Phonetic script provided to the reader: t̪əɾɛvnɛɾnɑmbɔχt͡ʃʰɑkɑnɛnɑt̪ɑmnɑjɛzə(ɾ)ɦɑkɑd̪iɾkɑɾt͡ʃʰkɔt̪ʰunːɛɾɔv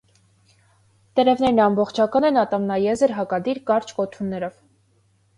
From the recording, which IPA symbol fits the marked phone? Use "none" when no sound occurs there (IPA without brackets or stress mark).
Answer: ɾ